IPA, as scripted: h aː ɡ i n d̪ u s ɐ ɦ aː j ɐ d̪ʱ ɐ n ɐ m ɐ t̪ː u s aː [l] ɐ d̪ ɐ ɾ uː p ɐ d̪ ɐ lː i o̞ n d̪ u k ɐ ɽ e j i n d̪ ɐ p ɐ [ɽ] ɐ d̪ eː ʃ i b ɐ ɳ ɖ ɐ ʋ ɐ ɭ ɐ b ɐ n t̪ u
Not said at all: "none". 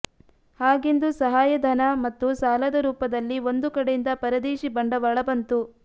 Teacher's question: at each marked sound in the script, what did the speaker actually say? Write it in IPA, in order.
l, ɾ

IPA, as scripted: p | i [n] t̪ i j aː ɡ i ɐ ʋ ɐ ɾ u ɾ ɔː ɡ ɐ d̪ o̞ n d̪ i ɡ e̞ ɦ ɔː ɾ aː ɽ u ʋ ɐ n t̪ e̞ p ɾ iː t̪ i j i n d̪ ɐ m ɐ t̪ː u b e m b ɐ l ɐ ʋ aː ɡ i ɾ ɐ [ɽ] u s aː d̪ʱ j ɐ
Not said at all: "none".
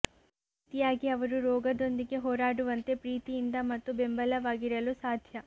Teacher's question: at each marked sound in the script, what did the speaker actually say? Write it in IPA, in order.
none, l

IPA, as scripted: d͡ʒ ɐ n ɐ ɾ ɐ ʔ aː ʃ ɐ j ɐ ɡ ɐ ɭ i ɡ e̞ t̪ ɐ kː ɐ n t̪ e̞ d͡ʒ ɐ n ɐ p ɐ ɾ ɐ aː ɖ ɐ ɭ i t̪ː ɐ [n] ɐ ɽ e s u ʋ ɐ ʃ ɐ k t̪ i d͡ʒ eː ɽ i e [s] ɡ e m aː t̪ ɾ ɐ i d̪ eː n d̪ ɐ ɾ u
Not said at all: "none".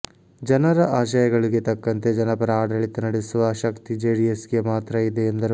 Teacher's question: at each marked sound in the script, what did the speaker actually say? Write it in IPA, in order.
n, s

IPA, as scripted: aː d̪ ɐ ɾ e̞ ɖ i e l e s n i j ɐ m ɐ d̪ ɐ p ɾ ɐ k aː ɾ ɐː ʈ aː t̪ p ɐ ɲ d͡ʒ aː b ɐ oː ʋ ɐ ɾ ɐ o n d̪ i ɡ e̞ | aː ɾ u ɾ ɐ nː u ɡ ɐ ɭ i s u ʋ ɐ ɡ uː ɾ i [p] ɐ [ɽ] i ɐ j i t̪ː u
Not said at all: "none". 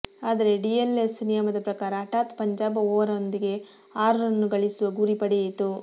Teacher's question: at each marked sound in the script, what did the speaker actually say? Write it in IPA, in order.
p, ɽ

